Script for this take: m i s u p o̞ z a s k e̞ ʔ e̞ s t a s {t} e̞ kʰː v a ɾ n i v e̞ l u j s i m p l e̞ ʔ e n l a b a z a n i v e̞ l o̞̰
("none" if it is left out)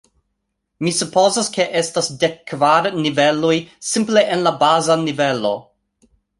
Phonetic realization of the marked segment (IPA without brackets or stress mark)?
d